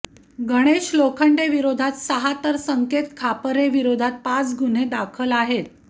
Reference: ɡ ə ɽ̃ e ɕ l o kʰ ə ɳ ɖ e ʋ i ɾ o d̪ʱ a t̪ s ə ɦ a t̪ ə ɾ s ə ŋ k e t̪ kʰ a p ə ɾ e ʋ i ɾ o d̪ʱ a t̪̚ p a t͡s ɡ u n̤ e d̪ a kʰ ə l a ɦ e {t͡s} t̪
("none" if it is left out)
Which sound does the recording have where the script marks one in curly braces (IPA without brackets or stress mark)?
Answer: none